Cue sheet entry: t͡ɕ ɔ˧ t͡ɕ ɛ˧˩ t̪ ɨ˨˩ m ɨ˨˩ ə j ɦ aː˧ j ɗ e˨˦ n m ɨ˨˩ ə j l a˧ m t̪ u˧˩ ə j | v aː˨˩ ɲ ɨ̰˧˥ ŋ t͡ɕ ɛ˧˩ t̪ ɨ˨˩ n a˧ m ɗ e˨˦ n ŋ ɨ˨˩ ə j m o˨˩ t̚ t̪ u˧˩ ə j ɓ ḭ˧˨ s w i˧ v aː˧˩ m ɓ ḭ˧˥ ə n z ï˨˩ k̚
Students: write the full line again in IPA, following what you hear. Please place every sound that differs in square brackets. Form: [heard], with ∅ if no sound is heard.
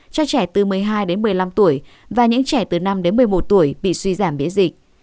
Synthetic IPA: t͡ɕ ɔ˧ t͡ɕ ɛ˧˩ t̪ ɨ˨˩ m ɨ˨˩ ə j ɦ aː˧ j ɗ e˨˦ n m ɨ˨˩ ə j l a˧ m t̪ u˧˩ ə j | v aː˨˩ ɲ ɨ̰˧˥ ŋ t͡ɕ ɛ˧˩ t̪ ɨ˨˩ n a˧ m ɗ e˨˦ n [m] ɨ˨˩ ə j m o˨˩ t̚ t̪ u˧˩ ə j ɓ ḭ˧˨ s w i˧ [z] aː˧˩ m ɓ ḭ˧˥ ə n z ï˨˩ k̚

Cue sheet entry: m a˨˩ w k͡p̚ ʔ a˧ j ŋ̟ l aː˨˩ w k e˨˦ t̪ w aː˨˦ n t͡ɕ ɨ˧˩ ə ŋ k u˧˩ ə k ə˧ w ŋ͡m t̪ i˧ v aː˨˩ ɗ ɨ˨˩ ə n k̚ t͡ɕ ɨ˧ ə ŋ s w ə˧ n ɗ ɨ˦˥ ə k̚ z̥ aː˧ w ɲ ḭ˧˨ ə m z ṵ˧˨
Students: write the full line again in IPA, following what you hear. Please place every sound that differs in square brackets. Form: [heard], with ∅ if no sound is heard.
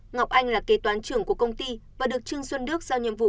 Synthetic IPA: [ŋ] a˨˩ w k͡p̚ ʔ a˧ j ŋ̟ l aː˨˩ [∅] k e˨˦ t̪ w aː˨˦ n t͡ɕ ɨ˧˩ ə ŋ k u˧˩ ə k ə˧ w ŋ͡m t̪ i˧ v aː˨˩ ɗ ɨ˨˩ ə [∅] k̚ t͡ɕ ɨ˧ ə ŋ s w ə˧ n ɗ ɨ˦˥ ə k̚ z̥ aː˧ w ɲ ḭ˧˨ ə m [v] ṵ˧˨

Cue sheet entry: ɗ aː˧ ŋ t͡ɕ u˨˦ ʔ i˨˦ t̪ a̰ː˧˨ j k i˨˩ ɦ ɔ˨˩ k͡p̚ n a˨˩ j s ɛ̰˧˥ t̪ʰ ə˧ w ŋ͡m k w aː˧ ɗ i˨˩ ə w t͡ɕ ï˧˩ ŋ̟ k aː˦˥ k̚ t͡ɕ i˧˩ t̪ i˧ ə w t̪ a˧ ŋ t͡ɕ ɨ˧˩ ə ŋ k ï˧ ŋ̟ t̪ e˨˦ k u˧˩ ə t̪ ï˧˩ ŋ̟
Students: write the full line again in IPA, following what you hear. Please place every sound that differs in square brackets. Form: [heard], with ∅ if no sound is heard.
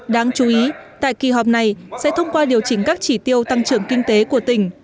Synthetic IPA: ɗ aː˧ ŋ t͡ɕ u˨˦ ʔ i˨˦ t̪ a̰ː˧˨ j k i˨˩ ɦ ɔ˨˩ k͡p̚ n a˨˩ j s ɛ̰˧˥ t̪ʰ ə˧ w ŋ͡m k w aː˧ ɗ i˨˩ ə w t͡ɕ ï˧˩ ŋ̟ k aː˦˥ k̚ t͡ɕ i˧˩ t̪ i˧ ə w t̪ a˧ ŋ t͡ɕ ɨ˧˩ ə ŋ k ï˧ ŋ̟ t̪ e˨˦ k u˧˩ ə t̪ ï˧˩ ŋ̟

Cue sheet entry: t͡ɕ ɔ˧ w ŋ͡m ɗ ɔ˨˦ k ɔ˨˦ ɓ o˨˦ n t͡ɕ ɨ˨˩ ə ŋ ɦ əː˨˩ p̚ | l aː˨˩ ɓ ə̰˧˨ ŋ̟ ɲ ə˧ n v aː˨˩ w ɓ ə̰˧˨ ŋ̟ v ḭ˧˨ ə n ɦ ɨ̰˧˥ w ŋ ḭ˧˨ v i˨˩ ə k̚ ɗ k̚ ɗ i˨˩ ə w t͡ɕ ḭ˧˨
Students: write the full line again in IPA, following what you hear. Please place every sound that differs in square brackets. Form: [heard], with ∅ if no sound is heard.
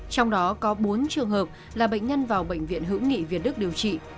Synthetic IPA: t͡ɕ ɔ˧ w ŋ͡m ɗ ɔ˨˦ k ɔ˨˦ ɓ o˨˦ n t͡ɕ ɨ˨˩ ə ŋ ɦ əː˨˩ p̚ | l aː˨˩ ɓ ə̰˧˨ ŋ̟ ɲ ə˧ n v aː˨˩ w ɓ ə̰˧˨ ŋ̟ v ḭ˧˨ ə n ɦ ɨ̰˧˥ w ŋ ḭ˧˨ v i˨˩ ə [t̚] ɗ k̚ ɗ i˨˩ ə w t͡ɕ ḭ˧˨

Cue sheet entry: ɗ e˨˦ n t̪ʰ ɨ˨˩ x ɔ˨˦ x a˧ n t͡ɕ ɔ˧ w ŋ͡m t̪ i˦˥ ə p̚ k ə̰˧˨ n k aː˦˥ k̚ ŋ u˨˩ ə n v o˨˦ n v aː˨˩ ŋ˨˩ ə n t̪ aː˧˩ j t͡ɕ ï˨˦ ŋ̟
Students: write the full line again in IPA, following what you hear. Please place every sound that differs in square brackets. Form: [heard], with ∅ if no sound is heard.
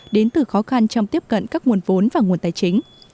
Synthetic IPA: ɗ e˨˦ n [t̪] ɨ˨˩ x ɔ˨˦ x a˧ n t͡ɕ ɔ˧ w ŋ͡m t̪ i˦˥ ə p̚ k ə̰˧˨ n k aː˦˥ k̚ ŋ u˨˩ ə n v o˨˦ n v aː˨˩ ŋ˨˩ ə n t̪ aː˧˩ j t͡ɕ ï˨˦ ŋ̟

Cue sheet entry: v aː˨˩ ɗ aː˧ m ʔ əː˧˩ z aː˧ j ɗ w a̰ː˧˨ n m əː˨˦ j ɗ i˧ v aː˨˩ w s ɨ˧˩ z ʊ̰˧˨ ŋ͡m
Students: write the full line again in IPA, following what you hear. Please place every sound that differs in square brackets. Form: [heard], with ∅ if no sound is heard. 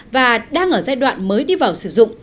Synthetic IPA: v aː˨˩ ɗ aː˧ [ŋ] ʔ əː˧˩ z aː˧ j ɗ w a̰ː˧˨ n m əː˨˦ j ɗ i˧ v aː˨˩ w s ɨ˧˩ z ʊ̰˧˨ ŋ͡m

